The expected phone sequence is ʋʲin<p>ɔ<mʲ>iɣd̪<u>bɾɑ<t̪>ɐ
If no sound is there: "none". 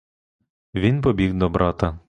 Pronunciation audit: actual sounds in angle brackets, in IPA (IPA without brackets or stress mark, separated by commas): p, bʲ, ɔ, t̪